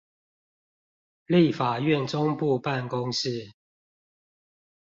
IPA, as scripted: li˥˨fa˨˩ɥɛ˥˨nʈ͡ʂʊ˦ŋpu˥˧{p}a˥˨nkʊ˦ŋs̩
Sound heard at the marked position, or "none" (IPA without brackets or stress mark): p